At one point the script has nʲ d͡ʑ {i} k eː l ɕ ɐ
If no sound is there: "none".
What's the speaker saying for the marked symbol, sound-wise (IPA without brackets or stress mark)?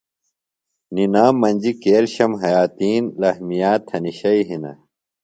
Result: i